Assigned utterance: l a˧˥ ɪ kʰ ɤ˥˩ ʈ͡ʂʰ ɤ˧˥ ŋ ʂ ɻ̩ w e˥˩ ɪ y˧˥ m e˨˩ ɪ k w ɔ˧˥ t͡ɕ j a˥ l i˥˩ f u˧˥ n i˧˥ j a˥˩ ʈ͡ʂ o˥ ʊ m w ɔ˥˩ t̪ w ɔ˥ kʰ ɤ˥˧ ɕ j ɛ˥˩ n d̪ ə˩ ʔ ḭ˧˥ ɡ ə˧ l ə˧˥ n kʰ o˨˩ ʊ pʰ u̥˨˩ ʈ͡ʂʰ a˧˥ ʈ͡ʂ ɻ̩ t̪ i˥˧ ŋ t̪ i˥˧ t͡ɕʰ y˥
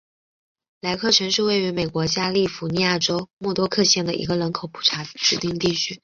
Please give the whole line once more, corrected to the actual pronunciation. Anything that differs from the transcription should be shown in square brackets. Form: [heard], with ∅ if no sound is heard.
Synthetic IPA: l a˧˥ ɪ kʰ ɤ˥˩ ʈ͡ʂʰ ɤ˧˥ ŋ ʂ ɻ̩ w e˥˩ ɪ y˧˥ m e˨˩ ɪ k w ɔ˧˥ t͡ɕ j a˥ l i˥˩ f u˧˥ n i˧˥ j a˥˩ ʈ͡ʂ o˥ ʊ m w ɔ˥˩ t̪ w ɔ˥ kʰ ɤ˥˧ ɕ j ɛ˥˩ n d̪ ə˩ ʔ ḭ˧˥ ɡ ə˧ l ə˧˥ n kʰ o˨˩ ʊ pʰ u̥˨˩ ʈ͡ʂʰ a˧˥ ʈ͡ʂ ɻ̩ t̪ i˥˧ ŋ t̪ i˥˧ t͡ɕʰ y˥